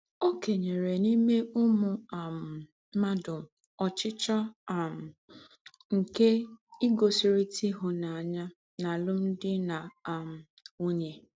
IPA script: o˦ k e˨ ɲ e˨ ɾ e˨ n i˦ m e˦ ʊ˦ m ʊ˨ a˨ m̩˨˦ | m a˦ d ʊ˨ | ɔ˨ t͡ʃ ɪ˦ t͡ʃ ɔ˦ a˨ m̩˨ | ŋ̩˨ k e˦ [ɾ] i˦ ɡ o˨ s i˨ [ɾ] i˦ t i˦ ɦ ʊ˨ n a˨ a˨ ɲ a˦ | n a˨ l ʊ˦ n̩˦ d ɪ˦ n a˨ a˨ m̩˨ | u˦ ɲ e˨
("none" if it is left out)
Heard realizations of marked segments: none, ɾ

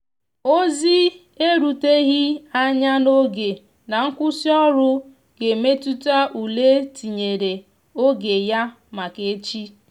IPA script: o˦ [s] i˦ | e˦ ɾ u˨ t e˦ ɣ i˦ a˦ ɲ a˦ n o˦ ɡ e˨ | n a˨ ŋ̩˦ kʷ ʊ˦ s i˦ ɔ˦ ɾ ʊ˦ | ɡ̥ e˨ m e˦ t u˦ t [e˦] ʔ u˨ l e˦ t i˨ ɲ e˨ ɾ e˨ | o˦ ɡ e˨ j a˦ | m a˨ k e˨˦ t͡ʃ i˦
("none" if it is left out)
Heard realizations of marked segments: z, a˦

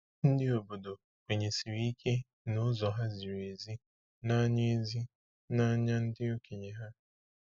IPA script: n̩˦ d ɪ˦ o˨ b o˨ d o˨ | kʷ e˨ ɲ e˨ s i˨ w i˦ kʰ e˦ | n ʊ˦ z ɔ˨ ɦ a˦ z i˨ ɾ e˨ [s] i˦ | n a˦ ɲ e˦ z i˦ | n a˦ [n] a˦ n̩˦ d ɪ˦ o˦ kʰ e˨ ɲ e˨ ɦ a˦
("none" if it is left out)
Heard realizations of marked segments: z, ɲ

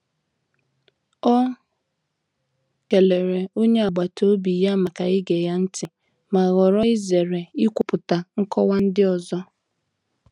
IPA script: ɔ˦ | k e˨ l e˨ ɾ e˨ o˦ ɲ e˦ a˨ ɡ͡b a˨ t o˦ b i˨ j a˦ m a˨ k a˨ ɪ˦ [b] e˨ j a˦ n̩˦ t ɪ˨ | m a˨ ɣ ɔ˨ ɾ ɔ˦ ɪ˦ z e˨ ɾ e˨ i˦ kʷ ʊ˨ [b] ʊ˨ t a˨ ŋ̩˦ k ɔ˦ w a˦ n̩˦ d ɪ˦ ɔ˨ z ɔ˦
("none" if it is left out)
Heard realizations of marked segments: ɡ, p

